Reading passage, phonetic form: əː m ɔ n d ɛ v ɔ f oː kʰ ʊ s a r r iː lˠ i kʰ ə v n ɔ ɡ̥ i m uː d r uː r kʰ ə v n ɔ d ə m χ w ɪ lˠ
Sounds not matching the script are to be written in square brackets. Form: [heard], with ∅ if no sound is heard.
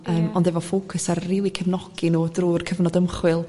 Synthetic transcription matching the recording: əː m ɔ n d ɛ v ɔ f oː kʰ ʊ s a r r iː lˠ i kʰ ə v n ɔ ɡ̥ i [n] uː d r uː r kʰ ə v n ɔ d ə m χ w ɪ lˠ